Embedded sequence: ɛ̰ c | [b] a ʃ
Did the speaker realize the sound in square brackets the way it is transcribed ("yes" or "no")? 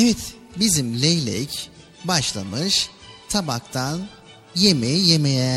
yes